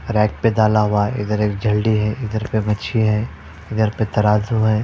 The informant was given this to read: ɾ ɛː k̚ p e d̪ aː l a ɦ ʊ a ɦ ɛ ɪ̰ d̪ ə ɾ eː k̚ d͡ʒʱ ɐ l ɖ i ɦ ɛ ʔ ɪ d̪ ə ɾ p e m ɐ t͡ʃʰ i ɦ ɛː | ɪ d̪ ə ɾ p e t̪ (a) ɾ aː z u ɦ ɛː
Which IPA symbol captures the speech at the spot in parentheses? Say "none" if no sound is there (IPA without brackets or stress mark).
ɐ